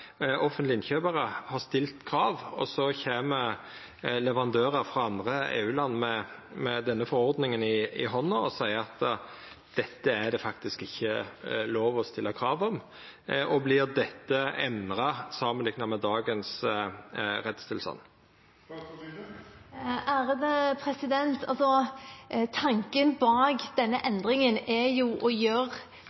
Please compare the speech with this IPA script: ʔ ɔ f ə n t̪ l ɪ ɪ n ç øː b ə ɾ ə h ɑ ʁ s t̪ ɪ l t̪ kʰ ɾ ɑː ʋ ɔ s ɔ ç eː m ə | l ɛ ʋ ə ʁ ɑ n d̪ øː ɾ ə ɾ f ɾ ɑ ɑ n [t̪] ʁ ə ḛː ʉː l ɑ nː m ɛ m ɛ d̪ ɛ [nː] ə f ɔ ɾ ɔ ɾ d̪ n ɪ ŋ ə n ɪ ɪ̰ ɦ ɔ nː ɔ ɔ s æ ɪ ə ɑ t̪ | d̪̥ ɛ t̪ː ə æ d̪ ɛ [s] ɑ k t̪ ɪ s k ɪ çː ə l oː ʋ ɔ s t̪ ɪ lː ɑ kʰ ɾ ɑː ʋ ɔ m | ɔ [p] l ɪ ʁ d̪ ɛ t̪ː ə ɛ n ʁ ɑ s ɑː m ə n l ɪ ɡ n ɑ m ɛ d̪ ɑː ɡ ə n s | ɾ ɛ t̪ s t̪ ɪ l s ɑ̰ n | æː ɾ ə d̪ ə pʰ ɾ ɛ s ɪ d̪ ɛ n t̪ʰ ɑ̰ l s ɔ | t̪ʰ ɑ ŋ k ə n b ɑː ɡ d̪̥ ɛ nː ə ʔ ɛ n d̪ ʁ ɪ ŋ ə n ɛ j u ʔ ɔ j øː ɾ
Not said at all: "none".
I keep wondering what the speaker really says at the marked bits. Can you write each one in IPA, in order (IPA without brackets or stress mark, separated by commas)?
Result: d̪, nː, f, b